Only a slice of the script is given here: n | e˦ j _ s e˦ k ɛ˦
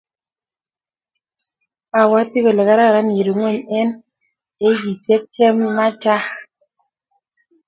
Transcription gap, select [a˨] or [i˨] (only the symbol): i˨